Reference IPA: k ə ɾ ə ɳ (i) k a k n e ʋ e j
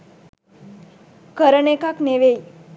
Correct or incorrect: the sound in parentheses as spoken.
incorrect: e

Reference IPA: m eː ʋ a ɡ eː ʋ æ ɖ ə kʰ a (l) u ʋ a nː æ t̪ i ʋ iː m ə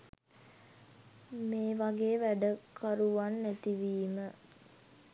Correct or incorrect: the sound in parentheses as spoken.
incorrect: ɾ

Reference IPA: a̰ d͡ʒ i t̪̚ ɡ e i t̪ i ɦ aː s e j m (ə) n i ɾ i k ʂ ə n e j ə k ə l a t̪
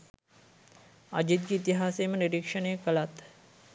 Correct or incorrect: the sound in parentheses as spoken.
correct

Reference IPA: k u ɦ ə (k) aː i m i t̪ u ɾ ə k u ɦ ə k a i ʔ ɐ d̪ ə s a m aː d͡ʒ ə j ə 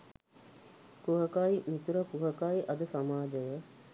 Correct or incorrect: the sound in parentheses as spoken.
correct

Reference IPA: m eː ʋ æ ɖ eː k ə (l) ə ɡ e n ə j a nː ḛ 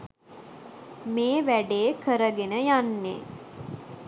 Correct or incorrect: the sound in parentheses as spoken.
incorrect: ɾ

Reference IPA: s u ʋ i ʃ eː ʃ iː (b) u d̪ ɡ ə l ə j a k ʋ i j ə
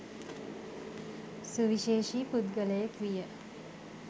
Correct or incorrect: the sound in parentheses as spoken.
incorrect: p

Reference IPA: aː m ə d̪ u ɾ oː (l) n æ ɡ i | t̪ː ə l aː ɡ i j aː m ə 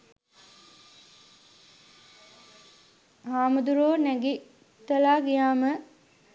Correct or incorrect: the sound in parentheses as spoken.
incorrect: none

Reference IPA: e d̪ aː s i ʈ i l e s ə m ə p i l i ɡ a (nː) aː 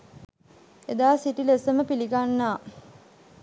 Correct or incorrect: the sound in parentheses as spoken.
correct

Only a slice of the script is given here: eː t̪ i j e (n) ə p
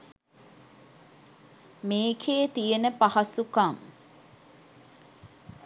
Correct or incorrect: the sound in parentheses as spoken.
correct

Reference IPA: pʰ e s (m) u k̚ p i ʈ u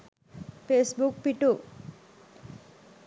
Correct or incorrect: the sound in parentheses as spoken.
incorrect: b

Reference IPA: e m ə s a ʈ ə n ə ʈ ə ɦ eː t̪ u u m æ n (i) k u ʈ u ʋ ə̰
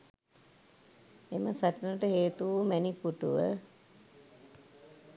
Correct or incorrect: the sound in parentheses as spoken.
correct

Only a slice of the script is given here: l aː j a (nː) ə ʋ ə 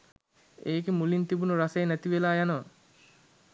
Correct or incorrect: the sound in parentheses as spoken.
incorrect: n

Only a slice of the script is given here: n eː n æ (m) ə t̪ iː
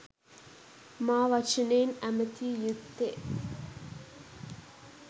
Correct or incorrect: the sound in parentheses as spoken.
correct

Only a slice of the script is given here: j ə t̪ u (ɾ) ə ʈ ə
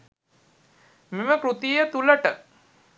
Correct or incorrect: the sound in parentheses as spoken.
incorrect: l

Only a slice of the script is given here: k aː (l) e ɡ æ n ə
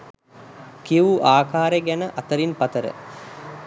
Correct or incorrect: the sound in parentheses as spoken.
incorrect: ɾ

